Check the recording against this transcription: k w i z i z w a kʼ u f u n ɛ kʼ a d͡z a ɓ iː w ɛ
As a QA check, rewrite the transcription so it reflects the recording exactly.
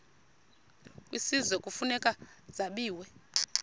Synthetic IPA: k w i s i z w ɛ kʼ u f u n ɛ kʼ a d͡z a ɓ iː w ɛ